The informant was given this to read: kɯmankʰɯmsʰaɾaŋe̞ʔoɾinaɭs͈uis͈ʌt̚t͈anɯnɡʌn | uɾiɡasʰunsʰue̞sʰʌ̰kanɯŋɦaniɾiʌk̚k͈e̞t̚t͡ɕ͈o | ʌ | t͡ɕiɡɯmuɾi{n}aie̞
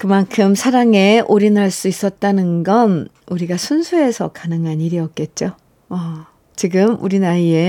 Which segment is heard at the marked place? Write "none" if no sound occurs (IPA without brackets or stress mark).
n